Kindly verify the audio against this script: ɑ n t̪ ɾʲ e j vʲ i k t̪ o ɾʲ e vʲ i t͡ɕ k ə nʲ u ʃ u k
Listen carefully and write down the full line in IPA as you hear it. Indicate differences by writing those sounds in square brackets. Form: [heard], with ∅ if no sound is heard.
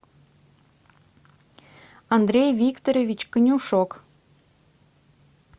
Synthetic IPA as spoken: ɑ n [d̪] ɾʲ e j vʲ i k t̪ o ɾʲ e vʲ i t͡ɕ k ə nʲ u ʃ [o] k